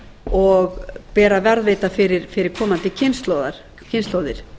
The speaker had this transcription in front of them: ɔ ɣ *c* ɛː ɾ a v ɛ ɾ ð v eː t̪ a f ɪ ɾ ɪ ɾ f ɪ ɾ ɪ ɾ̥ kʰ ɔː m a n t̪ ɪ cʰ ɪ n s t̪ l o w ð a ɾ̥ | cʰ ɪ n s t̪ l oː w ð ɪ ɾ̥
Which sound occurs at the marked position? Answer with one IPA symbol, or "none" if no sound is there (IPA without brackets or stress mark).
p